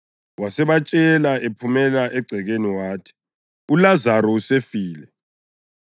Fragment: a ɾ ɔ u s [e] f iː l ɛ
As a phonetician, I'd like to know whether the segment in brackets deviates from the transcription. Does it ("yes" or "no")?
no